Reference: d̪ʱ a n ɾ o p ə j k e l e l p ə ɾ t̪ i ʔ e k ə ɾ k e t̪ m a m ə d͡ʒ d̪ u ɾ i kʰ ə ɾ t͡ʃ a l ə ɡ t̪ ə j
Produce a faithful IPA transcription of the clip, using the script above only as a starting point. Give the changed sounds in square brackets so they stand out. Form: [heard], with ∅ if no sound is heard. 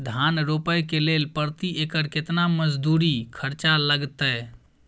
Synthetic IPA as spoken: d̪ʱ a n ɾ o p ə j k e l e l p ə ɾ t̪ i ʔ e k ə ɾ k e t̪ [n] a m ə d͡ʒ d̪ u ɾ i kʰ ə ɾ t͡ʃ a l ə ɡ t̪ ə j